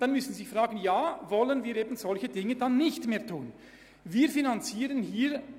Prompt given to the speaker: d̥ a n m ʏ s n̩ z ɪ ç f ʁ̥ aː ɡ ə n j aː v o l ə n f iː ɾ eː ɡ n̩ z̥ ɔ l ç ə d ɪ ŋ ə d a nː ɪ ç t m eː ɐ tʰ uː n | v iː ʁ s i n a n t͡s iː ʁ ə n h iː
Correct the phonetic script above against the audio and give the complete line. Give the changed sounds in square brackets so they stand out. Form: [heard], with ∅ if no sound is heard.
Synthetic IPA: d̥ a n m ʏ s n̩ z ɪ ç f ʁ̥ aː ɡ ə n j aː v [ɔ] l ə n [v] iː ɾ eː [b] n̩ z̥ ɔ l ç ə d ɪ ŋ ə d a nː ɪ ç t m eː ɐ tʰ uː n | v iː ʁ [f] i n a n t͡s iː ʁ ə n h iː